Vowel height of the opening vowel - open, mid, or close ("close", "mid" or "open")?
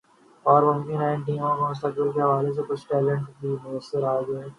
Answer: mid